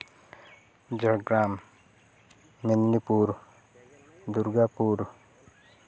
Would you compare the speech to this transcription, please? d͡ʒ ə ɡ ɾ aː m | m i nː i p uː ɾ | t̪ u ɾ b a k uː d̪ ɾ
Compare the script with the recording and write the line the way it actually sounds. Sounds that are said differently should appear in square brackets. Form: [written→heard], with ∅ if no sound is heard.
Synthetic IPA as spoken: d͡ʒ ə ɡ ɾ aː m | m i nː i p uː ɾ | [t̪→d̪] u ɾ [b→ɡ] a [k→p] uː [d̪→∅] ɾ